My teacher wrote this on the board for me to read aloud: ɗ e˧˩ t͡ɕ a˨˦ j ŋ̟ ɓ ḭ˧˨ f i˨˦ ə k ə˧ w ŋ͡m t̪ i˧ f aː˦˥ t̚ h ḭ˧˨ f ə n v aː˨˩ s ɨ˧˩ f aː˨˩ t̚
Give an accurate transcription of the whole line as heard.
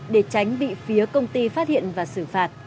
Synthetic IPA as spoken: ɗ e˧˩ t͡ɕ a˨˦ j ŋ̟ ɓ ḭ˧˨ f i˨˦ ə k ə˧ w ŋ͡m t̪ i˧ f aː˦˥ t̚ h ḭ˧˨ ə n v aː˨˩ s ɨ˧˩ f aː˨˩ t̚